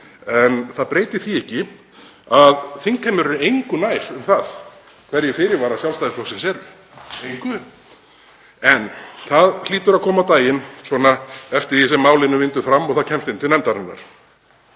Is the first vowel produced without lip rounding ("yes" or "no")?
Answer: yes